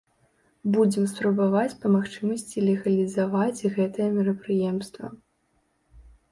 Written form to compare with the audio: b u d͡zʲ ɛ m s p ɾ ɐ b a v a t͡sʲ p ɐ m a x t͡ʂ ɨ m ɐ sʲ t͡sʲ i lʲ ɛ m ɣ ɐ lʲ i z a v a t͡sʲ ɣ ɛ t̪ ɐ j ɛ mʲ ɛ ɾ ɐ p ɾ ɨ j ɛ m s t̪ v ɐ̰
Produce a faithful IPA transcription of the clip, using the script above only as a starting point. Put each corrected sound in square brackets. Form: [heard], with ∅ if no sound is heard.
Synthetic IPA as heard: b u d͡zʲ ɛ m s p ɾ ɐ b a v a t͡sʲ p ɐ m a x t͡ʂ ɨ m ɐ sʲ t͡sʲ i lʲ ɛ [∅] ɣ ɐ lʲ i z a v a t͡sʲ ɣ ɛ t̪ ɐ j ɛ mʲ ɛ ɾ ɐ p ɾ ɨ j ɛ m s t̪ v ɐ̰

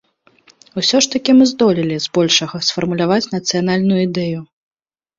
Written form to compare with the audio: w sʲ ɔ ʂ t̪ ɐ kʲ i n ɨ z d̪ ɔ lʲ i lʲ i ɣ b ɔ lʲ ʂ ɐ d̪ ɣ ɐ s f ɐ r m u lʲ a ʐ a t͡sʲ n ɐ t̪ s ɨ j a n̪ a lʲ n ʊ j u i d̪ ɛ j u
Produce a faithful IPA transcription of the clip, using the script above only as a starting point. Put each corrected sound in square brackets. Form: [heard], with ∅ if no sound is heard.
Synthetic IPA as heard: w sʲ ɔ ʂ t̪ ɐ kʲ i [m] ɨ z d̪ ɔ lʲ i lʲ i [z] b ɔ lʲ ʂ ɐ [∅] ɣ ɐ s f ɐ r m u lʲ a [v] a t͡sʲ n ɐ t̪ s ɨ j a n̪ a lʲ n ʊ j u i d̪ ɛ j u

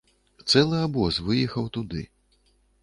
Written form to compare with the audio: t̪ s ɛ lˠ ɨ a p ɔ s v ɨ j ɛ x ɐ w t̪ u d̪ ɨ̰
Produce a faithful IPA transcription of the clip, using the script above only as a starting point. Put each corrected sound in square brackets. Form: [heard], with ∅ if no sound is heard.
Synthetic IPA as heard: t̪ s ɛ lˠ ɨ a [b] ɔ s v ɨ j ɛ x ɐ w t̪ u d̪ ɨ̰

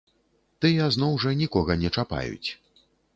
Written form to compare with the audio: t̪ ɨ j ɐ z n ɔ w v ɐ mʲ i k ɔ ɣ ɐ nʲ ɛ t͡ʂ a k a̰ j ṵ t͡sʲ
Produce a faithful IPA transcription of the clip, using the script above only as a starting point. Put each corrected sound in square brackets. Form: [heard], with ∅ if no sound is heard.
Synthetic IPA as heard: t̪ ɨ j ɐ z n ɔ w [ʐ] ɐ [nʲ] i k ɔ ɣ ɐ nʲ ɛ t͡ʂ a [p] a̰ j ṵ t͡sʲ

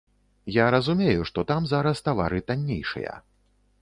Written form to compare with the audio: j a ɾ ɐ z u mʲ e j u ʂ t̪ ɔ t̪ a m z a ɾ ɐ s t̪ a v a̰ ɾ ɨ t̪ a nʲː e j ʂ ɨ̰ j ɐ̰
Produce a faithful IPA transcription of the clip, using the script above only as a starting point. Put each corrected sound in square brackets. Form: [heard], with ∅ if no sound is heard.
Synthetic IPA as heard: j a ɾ ɐ z u mʲ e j u ʂ t̪ ɔ t̪ a m z a ɾ ɐ s t̪ a v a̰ ɾ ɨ t̪ a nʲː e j ʂ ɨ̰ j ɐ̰

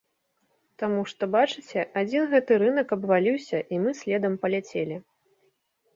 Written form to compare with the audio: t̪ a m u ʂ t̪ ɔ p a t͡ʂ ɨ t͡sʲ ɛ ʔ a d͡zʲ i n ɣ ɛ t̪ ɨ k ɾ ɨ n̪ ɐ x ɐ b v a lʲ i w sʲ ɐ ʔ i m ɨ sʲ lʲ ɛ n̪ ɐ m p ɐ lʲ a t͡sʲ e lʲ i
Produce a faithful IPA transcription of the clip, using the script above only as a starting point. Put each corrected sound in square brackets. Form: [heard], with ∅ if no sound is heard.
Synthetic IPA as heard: t̪ a m u ʂ t̪ ɔ [b] a t͡ʂ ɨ t͡sʲ ɛ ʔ a d͡zʲ i n ɣ ɛ t̪ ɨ [∅] ɾ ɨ n̪ ɐ [k] ɐ b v a lʲ i w sʲ ɐ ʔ i m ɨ sʲ lʲ ɛ [d̪] ɐ m p ɐ lʲ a t͡sʲ e lʲ i

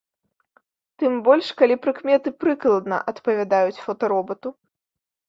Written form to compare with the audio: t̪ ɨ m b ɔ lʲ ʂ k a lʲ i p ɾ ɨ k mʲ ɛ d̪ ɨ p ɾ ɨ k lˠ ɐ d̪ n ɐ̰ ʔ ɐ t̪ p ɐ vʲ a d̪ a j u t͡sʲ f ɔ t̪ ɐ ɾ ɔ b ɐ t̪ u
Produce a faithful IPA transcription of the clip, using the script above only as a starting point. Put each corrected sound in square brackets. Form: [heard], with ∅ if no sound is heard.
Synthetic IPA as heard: t̪ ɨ m b ɔ lʲ ʂ k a lʲ i p ɾ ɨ k mʲ ɛ [t̪] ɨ p ɾ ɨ k lˠ ɐ d̪ n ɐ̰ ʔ ɐ t̪ p ɐ vʲ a d̪ a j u t͡sʲ f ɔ t̪ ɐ ɾ ɔ b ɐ t̪ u

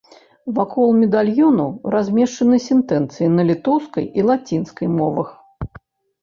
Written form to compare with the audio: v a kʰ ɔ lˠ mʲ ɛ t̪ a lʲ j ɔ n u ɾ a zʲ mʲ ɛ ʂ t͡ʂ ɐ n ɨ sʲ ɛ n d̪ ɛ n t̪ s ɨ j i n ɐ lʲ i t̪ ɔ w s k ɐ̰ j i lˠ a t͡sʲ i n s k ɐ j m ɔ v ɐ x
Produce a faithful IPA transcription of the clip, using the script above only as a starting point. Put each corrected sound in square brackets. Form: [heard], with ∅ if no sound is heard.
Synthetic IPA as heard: v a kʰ ɔ lˠ mʲ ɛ [d̪] a lʲ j ɔ n u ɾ a zʲ mʲ ɛ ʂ t͡ʂ ɐ n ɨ sʲ ɛ n [t̪] ɛ n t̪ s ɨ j i n ɐ lʲ i t̪ ɔ w s k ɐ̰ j i lˠ a t͡sʲ i n s k ɐ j m ɔ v ɐ x

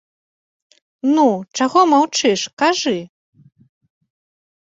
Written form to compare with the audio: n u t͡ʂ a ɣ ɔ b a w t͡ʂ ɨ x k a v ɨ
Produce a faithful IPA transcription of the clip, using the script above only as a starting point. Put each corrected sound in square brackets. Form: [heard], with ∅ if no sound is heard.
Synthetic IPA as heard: n u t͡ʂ a ɣ ɔ [m] a w t͡ʂ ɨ [ʂ] k a [ʐ] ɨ

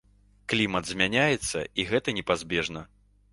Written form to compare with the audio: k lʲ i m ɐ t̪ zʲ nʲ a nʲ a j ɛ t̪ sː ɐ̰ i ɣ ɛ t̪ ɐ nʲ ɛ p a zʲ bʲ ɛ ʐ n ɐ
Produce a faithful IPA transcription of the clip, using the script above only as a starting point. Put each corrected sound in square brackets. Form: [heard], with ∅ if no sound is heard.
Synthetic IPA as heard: k lʲ i m ɐ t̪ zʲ [mʲ] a nʲ a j ɛ t̪ sː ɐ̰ i ɣ ɛ t̪ ɐ nʲ ɛ p a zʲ bʲ ɛ ʐ n ɐ

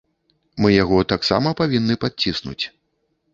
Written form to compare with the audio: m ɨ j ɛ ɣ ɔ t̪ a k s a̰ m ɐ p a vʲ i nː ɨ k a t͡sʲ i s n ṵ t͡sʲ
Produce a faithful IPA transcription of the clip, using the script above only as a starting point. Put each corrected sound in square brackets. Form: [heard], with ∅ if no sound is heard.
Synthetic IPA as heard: m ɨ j [a] ɣ ɔ t̪ a k s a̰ m ɐ p a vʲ i nː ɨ [p] a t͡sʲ i s n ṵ t͡sʲ

